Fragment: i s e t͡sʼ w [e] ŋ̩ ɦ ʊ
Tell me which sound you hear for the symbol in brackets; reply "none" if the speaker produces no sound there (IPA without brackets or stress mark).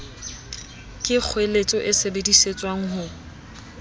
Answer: a